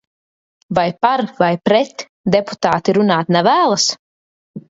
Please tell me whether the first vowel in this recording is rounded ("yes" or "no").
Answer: no